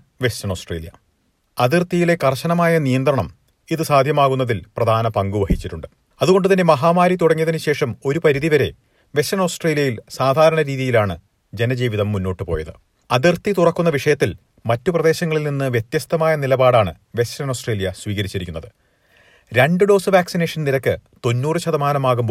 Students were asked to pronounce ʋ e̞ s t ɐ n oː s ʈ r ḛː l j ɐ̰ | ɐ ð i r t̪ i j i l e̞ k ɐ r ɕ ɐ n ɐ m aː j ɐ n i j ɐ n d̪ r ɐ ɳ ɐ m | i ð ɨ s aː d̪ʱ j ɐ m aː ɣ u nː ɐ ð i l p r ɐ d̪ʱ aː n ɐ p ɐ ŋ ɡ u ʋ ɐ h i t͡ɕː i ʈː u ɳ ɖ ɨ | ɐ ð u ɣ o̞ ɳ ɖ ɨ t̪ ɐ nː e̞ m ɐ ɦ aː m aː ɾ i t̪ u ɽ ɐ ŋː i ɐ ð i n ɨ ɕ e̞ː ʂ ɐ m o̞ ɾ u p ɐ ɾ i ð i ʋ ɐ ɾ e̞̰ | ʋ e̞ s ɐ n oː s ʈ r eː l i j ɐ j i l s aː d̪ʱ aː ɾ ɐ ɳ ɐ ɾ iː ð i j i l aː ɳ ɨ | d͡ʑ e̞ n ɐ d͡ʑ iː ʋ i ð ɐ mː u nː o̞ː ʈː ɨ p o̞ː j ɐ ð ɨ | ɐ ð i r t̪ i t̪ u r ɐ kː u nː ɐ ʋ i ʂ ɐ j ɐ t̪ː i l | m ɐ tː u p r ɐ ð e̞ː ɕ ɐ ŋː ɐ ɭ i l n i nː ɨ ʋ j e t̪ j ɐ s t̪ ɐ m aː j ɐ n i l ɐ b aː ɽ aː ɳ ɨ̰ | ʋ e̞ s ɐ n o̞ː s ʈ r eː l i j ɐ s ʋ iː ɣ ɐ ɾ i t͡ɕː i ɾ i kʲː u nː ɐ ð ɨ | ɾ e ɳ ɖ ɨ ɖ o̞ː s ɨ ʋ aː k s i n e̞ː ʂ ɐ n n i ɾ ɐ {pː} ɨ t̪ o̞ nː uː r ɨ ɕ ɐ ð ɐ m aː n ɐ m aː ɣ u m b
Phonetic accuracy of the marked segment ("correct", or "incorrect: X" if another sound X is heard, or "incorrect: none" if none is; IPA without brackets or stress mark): incorrect: kː